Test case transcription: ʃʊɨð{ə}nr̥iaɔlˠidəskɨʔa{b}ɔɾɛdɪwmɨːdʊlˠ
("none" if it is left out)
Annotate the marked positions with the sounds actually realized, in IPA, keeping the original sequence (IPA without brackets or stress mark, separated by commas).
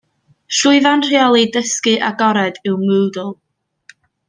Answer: a, ɡ